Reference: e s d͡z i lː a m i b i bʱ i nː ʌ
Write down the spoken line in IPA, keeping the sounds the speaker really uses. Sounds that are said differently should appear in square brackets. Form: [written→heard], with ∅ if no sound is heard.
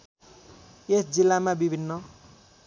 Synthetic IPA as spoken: e s d͡z i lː a m [i→a] b i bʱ i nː ʌ